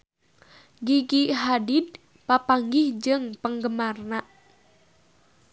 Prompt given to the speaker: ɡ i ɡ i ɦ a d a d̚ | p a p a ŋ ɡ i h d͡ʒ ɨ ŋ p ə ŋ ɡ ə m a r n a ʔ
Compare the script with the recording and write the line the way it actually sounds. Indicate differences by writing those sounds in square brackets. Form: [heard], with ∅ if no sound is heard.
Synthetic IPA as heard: ɡ i ɡ i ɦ a d [i] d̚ | p a p a ŋ ɡ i h d͡ʒ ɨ ŋ p ə ŋ ɡ ə m a r n a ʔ